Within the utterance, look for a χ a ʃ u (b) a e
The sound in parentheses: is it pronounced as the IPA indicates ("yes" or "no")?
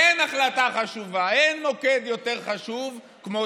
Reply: no